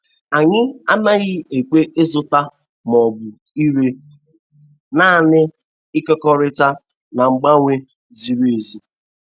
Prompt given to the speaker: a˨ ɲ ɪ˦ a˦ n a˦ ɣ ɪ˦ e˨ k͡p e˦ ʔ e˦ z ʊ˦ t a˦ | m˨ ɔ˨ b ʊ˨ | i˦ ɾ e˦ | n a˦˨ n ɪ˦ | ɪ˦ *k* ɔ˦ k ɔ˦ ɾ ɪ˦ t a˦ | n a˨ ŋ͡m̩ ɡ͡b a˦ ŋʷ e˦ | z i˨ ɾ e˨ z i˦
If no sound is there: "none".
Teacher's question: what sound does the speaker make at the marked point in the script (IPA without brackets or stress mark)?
k